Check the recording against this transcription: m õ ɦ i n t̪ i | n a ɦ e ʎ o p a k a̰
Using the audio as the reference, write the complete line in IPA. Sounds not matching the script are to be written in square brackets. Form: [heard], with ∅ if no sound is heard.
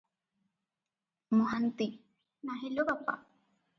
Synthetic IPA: m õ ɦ [a] n t̪ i | n a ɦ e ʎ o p a [p] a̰